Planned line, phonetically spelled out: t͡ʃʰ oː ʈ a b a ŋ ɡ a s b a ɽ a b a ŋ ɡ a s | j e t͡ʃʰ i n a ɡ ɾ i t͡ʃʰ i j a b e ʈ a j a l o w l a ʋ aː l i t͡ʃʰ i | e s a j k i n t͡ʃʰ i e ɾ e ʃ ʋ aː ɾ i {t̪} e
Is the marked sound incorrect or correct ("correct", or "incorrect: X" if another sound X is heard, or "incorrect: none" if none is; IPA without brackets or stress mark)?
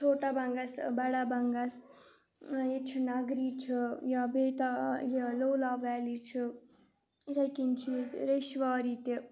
correct